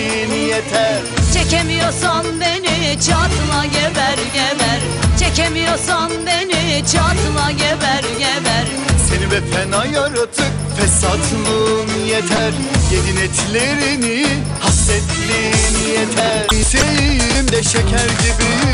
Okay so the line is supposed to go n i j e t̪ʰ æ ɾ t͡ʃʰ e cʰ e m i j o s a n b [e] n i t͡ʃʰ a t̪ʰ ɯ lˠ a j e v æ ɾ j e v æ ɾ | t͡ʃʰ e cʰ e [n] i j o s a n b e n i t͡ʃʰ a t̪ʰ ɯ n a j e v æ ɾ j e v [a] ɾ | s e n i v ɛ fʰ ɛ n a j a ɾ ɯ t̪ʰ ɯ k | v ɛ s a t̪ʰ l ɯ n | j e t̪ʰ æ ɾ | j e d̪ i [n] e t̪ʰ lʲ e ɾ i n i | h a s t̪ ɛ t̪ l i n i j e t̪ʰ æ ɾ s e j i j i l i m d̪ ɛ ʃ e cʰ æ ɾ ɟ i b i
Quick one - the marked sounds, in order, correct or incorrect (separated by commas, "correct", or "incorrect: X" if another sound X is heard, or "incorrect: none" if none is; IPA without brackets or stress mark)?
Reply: correct, incorrect: m, incorrect: æ, correct